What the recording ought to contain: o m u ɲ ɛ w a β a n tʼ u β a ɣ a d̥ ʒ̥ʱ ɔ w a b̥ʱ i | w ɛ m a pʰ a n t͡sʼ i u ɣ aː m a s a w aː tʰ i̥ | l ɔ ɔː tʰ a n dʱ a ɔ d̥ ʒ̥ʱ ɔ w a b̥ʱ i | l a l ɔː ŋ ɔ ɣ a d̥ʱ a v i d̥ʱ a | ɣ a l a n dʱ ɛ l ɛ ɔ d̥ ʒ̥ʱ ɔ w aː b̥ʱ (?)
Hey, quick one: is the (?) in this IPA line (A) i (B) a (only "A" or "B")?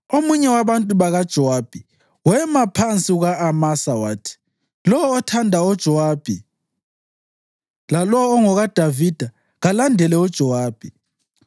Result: A